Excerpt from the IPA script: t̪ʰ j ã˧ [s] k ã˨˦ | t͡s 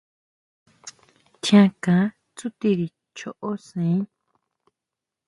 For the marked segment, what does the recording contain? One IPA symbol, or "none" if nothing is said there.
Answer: none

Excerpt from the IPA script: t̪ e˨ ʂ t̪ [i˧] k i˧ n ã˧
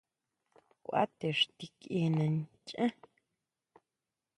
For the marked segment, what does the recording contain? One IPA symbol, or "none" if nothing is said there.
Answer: i˧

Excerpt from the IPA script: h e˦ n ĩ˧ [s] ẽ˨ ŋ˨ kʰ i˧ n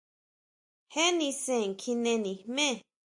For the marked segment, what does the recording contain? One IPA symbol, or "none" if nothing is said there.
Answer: s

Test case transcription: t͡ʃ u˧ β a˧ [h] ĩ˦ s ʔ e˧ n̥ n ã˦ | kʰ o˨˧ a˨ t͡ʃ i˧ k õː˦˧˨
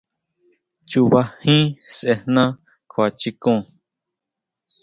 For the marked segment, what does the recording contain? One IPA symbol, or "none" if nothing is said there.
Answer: h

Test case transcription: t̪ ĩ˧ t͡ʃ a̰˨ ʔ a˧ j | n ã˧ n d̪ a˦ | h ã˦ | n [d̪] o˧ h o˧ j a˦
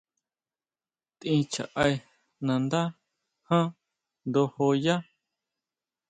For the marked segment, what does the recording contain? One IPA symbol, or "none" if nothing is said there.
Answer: d̪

